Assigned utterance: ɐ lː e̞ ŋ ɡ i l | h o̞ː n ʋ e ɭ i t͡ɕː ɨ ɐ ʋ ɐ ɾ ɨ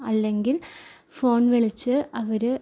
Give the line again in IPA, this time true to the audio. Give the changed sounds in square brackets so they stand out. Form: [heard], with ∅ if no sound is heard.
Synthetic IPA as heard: ɐ lː e̞ ŋ ɡ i l | [f] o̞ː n ʋ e ɭ i t͡ɕː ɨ ɐ ʋ ɐ ɾ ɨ